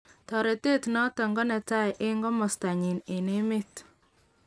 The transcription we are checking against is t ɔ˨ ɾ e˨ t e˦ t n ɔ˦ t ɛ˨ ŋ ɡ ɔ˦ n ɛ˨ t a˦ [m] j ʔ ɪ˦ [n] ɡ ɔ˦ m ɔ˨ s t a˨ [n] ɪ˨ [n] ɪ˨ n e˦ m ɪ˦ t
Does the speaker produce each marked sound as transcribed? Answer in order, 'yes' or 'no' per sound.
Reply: no, no, no, yes

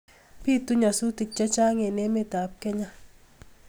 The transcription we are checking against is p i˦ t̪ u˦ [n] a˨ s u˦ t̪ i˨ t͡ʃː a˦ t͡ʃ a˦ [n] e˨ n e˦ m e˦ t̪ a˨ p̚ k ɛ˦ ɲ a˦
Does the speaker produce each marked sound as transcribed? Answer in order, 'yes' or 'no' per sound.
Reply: no, no

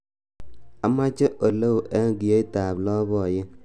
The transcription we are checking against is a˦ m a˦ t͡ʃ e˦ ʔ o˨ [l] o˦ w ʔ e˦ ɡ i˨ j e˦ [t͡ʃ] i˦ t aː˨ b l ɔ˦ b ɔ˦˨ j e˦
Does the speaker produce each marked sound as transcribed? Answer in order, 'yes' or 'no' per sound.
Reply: yes, no

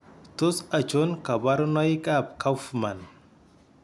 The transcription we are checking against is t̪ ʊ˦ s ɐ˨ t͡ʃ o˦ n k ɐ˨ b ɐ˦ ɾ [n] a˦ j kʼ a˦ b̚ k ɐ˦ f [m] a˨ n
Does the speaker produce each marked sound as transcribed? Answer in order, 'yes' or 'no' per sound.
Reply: yes, yes

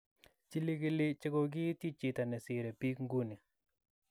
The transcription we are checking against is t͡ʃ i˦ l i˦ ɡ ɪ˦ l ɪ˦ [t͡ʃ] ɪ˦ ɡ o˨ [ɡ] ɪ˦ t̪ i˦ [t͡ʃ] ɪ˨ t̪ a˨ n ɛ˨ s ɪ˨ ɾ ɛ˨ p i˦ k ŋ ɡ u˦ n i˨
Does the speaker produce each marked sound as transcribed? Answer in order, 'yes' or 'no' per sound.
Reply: yes, yes, yes

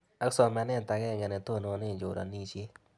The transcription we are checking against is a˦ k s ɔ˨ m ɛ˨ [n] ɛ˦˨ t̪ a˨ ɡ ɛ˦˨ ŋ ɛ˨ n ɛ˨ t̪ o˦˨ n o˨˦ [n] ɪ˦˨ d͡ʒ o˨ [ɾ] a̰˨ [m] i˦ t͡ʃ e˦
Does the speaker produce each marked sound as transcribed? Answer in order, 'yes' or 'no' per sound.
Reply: yes, yes, yes, no

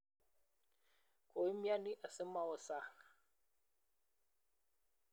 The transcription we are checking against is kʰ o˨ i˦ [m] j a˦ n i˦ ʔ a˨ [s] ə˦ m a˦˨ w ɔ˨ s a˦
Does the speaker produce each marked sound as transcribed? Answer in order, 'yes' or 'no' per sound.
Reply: yes, yes

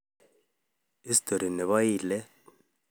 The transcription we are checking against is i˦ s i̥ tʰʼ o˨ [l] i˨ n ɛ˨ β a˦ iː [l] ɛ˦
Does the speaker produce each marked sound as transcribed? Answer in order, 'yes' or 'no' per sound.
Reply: no, yes

